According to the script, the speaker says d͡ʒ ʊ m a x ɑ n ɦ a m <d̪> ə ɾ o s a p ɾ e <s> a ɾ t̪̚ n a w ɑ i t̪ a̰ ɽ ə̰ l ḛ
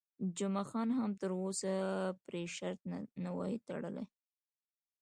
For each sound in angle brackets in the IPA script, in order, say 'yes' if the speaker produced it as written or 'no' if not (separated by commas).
no, no